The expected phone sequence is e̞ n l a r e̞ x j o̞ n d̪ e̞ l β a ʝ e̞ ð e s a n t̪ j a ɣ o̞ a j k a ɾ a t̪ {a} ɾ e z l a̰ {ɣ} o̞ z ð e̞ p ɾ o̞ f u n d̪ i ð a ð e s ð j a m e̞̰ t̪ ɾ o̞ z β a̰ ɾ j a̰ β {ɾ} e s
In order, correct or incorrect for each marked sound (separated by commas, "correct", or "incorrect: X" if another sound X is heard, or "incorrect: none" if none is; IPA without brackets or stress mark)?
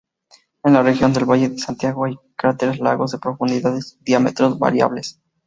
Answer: incorrect: e, correct, incorrect: l